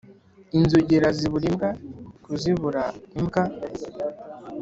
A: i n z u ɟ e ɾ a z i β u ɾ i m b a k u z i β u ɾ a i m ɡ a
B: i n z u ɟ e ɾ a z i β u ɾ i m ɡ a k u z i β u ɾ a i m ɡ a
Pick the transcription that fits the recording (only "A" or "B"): B